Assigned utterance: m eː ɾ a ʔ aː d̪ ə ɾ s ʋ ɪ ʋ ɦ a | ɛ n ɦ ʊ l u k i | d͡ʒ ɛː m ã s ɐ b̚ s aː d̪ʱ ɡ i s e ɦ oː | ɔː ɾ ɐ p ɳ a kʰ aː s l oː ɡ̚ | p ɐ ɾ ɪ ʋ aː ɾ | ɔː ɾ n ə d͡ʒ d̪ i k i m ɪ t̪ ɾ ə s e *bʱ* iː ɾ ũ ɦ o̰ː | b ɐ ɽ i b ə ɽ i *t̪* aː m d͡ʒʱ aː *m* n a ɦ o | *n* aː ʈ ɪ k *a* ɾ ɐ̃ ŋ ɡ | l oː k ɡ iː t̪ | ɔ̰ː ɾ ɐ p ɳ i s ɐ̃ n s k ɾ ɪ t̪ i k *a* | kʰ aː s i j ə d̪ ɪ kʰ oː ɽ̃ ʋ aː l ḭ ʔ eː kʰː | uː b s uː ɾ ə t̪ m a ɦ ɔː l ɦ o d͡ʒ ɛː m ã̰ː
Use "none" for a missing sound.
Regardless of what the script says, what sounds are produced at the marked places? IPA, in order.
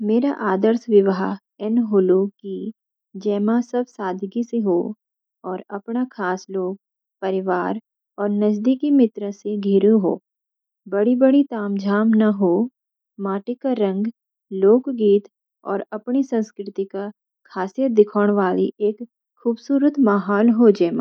ɡʱ, t̪, m, m, a, a

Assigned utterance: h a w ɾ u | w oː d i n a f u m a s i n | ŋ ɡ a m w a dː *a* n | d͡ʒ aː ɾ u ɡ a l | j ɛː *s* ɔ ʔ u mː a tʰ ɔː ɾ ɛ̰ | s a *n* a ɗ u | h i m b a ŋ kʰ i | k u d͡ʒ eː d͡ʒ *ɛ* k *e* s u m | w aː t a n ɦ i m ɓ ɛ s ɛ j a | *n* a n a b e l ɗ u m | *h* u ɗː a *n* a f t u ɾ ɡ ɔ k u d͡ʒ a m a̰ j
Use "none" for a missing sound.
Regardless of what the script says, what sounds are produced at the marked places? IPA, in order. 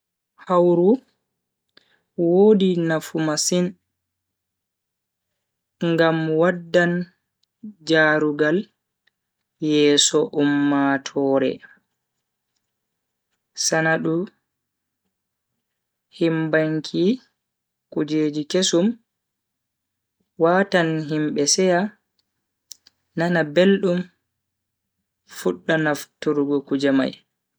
a, s, n, i, e, n, f, n

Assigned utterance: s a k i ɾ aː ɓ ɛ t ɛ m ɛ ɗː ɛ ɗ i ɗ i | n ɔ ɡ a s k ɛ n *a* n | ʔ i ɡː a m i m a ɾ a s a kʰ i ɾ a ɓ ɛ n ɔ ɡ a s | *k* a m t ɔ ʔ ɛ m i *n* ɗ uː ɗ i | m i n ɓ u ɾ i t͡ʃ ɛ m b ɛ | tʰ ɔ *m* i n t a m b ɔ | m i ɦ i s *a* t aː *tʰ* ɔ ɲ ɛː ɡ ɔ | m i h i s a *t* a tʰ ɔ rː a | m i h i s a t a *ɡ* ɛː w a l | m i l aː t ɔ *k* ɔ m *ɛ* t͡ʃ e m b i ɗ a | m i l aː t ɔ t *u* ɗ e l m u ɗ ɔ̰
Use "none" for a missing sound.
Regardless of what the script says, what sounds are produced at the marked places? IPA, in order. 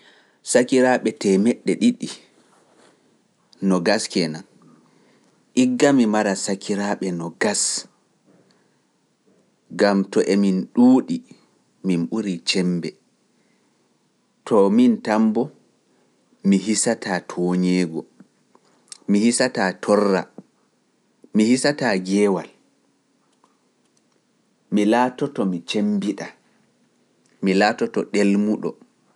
a, ɡ, n, m, a, tʰ, t, ɡ, t, i, ɔ

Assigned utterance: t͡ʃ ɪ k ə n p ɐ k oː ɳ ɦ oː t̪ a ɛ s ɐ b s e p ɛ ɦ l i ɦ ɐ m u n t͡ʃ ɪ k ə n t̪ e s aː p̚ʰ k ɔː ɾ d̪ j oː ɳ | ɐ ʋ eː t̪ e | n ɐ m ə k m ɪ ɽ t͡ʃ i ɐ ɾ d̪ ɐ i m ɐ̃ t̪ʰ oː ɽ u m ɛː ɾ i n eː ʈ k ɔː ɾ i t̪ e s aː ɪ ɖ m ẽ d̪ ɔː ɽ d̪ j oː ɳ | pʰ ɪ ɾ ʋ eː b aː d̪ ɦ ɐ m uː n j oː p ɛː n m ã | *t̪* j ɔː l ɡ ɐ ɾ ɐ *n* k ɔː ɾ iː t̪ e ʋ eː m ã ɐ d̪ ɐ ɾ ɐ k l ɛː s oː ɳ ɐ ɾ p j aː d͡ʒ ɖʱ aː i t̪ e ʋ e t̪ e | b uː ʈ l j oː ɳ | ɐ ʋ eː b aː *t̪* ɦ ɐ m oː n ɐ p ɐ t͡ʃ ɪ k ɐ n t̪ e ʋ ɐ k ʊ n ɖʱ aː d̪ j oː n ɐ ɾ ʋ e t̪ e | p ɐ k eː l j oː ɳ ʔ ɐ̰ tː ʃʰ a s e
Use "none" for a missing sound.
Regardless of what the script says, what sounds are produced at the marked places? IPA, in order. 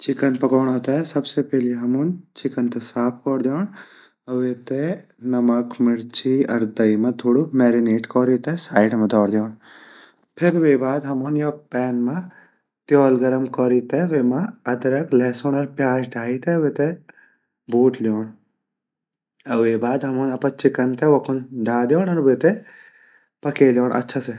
t̪, m, d̪

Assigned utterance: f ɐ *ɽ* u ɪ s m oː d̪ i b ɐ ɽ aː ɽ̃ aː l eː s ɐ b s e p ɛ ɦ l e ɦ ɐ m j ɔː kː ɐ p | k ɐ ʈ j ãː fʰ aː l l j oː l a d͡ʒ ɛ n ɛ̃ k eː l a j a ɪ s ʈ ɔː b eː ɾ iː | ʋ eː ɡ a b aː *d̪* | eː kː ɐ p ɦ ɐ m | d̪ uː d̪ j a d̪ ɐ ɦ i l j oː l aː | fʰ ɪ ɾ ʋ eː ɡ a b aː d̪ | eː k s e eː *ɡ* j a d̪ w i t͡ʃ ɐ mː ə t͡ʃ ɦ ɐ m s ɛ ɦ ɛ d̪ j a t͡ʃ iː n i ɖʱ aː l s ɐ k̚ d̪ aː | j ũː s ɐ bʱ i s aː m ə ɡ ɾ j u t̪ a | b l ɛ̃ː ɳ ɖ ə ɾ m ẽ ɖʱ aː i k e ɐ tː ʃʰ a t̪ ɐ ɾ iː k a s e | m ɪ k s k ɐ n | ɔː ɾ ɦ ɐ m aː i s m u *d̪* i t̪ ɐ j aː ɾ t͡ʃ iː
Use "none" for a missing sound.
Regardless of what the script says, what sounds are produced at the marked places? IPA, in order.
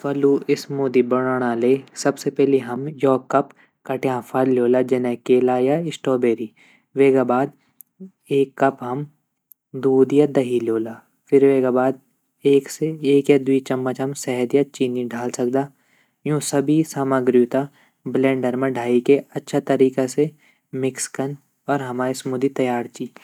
l, d̪, k, d̪

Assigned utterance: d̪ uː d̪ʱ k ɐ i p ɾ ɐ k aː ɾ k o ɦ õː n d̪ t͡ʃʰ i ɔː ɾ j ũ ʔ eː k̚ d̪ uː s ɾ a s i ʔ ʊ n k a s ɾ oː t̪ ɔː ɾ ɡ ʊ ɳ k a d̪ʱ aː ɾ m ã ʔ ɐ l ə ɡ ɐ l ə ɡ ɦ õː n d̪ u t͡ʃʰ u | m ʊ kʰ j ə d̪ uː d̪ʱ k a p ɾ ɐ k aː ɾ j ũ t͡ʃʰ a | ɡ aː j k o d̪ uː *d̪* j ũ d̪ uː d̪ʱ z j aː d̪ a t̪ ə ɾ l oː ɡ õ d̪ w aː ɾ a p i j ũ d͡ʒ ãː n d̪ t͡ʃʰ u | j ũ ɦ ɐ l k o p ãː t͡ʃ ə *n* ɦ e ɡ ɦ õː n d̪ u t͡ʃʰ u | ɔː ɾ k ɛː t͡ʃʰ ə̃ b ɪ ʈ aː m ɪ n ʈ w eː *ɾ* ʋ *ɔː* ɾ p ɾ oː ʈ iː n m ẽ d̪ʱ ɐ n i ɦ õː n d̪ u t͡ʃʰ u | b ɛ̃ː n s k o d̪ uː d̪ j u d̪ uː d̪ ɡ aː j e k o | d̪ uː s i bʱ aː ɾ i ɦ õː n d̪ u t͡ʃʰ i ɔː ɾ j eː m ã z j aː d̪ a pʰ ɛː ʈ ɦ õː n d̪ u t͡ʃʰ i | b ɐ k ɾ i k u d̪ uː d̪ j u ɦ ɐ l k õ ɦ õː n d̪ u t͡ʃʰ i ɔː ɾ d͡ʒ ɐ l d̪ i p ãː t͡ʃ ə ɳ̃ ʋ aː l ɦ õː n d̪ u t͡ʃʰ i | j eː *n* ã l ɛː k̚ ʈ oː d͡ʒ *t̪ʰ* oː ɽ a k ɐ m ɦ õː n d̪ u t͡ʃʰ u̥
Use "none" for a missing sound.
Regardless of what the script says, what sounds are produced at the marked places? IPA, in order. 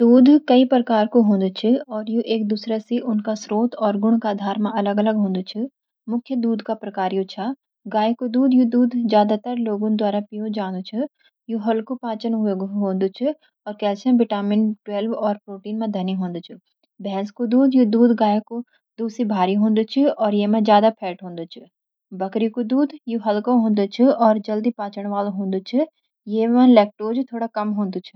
d̪, n, l, ɔː, m, t̪ʰ

